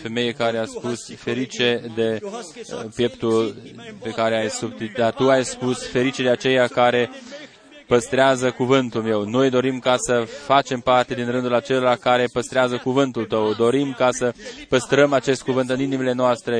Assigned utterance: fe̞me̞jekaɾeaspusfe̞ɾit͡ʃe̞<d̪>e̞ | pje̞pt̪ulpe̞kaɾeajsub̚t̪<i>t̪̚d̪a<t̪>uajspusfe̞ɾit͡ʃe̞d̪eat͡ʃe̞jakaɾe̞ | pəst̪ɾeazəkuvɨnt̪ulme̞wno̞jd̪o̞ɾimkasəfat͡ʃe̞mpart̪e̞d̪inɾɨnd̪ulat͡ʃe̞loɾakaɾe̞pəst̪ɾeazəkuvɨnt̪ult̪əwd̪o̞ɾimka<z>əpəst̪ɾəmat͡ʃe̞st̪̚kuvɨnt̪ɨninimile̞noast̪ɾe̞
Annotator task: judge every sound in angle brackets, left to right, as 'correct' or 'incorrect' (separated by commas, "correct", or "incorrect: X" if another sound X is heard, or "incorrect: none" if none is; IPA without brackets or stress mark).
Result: correct, correct, correct, incorrect: s